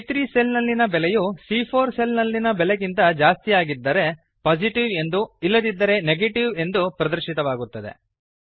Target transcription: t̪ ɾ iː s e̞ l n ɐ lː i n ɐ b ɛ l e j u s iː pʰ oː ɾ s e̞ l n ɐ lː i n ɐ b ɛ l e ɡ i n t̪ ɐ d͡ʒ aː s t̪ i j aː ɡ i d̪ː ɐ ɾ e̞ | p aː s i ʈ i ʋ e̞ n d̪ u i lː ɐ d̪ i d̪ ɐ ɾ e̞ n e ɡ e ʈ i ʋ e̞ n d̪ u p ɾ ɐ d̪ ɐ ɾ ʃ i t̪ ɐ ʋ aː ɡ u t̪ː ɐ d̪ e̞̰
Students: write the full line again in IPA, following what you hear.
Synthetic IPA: t̪ ɾ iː s e̞ l n ɐ lː i n ɐ b ɛ l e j u s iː pʰ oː ɾ s e̞ l n ɐ lː i n ɐ b ɛ l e ɡ i n t̪ ɐ d͡ʒ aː s t̪ i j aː ɡ i d̪ː ɐ ɾ e̞ | p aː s i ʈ i ʋ e̞ n d̪ u i lː ɐ d̪ i d̪ː ɐ ɾ e̞ n e ɡ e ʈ i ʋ e̞ n d̪ u p ɾ ɐ d̪ ɐ ɾ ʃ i t̪ ɐ ʋ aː ɡ u t̪ː ɐ d̪ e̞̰